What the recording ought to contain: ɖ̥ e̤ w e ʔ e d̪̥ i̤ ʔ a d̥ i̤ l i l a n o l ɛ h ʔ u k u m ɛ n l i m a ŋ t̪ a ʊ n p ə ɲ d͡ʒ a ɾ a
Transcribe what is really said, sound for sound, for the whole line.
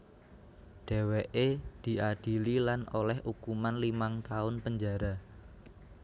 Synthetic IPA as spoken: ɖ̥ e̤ w e ʔ e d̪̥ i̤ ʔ a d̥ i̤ l i l a n o l ɛ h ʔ u k u m a n l i m a ŋ t̪ a ʊ n p ə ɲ d͡ʒ a ɾ a